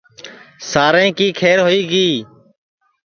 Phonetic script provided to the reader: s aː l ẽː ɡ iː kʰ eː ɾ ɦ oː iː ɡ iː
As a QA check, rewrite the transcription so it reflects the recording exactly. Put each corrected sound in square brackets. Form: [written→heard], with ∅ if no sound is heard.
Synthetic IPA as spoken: s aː [l→ɾ] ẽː [ɡ→k] iː kʰ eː ɾ ɦ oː iː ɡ iː